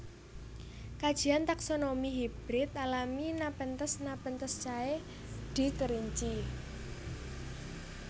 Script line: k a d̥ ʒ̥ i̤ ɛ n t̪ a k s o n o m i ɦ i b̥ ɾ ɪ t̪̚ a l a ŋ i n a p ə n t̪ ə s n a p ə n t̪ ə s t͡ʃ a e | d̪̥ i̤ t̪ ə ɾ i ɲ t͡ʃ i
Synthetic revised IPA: k a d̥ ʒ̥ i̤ a n t̪ a k s o n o m i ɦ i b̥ ɾ ɪ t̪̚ a l a m i n a p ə n t̪ ə s n a p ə n t̪ ə s t͡ʃ a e | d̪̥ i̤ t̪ ə ɾ i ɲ t͡ʃ i